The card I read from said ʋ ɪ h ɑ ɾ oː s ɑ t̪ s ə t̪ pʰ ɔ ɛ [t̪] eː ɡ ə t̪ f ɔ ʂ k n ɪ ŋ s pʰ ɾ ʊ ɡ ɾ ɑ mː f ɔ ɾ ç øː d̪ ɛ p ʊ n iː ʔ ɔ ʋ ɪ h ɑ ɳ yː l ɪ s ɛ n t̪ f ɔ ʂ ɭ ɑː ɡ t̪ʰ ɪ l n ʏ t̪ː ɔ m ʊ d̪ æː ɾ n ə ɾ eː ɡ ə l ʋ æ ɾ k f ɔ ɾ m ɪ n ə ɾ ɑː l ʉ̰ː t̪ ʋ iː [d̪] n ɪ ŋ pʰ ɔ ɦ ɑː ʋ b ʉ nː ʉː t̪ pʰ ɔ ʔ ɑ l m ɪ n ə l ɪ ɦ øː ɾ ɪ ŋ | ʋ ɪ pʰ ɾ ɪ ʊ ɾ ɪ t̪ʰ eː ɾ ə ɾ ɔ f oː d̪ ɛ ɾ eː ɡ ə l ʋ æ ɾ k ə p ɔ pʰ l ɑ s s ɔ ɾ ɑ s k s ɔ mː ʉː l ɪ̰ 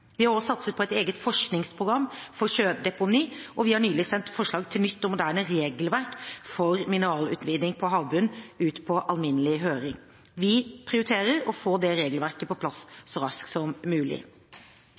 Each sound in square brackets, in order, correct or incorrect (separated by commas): correct, correct